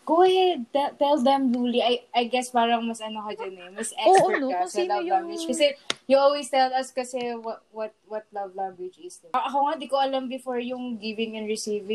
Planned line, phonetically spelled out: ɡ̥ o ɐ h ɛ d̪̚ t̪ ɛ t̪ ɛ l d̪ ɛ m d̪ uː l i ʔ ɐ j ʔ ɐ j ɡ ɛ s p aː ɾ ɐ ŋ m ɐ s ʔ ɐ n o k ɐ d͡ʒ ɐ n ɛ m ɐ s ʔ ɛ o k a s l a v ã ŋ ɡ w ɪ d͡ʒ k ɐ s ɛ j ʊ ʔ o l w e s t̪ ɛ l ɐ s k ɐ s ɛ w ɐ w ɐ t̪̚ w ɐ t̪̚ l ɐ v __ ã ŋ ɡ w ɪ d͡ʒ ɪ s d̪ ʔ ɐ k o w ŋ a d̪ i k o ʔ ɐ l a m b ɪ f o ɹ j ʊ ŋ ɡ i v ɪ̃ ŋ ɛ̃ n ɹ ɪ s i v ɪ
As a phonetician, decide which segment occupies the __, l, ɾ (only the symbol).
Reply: l